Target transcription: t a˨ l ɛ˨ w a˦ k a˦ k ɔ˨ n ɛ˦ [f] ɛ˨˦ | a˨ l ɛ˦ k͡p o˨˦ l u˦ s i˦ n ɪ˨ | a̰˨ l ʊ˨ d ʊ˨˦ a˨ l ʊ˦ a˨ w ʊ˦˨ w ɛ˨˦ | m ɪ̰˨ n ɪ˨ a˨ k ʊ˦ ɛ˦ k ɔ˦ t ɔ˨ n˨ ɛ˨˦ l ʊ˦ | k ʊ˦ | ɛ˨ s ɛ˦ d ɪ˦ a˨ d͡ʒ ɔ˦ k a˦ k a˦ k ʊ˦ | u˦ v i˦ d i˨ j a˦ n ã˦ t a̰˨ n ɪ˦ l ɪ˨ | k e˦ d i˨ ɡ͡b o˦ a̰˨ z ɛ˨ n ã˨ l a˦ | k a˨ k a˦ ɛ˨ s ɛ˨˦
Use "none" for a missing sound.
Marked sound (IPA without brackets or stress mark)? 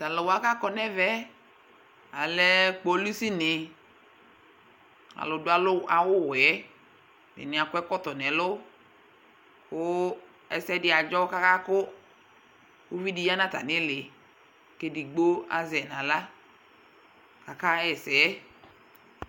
v